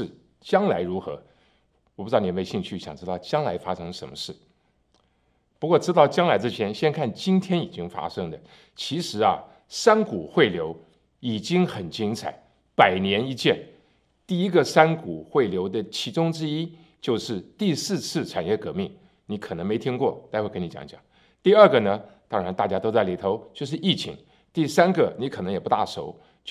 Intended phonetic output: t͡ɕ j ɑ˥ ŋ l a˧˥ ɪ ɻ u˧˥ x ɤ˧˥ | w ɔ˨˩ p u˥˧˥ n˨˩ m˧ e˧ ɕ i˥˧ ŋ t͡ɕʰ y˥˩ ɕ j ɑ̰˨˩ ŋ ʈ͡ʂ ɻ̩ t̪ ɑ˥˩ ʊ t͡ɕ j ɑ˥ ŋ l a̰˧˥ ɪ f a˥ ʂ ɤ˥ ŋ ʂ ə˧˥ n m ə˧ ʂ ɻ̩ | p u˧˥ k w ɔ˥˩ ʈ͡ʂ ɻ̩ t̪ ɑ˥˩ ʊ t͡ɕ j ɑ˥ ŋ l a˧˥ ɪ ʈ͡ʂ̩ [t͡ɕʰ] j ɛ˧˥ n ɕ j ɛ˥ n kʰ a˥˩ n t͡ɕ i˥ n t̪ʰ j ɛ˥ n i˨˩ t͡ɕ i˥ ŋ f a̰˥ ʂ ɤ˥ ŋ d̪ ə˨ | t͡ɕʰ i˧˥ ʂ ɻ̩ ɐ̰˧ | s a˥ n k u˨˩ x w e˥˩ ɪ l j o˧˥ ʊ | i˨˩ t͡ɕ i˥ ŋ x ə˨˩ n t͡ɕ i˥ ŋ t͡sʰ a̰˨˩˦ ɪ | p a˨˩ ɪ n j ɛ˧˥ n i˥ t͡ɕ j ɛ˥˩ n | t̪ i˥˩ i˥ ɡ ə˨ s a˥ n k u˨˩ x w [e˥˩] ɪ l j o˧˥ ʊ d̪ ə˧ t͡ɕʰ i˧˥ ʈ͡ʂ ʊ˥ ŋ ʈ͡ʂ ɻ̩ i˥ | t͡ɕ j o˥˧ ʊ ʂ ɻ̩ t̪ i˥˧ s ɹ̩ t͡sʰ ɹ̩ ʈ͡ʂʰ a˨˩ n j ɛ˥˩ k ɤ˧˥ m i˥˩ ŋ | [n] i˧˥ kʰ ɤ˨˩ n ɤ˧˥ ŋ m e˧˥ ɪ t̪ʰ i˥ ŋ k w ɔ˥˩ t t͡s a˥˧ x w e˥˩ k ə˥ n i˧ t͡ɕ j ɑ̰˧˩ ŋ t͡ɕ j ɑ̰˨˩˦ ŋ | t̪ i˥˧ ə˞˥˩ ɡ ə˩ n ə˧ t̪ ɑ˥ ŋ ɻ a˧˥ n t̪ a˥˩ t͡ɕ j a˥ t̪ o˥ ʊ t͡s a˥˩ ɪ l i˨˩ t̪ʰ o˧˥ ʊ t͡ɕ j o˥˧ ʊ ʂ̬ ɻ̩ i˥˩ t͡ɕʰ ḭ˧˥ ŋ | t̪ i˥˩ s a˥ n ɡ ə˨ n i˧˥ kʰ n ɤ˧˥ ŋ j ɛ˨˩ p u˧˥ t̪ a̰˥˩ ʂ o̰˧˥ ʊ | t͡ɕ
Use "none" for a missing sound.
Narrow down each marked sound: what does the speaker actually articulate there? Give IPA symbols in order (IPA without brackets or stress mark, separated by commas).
t͡ɕʰ, e˥˩, n